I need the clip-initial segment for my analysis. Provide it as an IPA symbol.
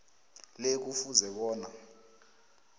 l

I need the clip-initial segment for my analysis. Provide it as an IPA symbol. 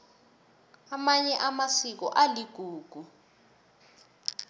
a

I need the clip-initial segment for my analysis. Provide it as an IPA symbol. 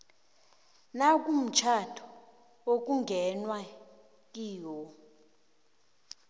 n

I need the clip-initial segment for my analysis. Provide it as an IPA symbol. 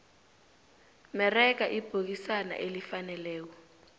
m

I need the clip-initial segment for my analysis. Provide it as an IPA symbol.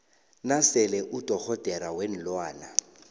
n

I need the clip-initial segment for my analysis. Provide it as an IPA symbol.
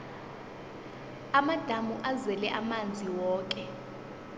a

